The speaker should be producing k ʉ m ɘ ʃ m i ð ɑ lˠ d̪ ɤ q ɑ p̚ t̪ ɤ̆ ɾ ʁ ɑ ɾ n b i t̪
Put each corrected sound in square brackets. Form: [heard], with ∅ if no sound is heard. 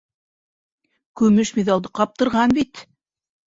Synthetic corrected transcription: k ʉ m ɘ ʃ m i ð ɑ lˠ d̪ ɤ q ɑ p̚ t̪ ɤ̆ ɾ ʁ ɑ [∅] n b i t̪